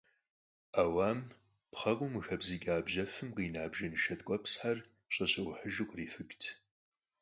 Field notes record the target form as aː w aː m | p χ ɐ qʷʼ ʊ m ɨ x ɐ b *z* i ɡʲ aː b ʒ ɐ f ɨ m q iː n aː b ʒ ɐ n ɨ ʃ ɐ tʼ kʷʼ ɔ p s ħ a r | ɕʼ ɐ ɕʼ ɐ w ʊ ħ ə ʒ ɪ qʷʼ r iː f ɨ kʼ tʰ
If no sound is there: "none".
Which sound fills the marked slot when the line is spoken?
z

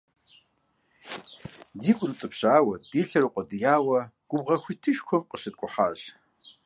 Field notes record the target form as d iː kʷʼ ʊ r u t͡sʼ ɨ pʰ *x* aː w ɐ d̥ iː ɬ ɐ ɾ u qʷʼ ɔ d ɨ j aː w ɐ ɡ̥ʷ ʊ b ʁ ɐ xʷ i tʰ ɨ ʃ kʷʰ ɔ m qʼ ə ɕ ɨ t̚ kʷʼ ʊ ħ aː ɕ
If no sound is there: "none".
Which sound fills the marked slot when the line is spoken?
ɕ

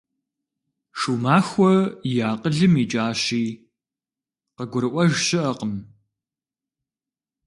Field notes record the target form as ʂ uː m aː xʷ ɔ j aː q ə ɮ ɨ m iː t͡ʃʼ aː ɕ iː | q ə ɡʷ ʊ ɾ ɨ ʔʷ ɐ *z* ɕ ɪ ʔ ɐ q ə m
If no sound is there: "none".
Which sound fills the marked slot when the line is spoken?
ʒ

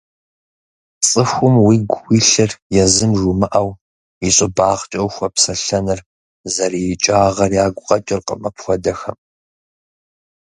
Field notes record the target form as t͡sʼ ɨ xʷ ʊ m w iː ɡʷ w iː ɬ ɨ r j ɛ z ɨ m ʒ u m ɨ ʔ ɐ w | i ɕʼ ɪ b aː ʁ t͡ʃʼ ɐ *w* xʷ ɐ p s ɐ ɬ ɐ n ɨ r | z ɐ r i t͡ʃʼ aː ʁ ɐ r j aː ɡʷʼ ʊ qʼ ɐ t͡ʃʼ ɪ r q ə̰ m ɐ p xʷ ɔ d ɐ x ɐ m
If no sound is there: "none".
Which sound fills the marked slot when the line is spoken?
w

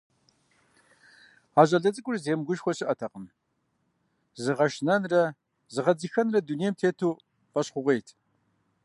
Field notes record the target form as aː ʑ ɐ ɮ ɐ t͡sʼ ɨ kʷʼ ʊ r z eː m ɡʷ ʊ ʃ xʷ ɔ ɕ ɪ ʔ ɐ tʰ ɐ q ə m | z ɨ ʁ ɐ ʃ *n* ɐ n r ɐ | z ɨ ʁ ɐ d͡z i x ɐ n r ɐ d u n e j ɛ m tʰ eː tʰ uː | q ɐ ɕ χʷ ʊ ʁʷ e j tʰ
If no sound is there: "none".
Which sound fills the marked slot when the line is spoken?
n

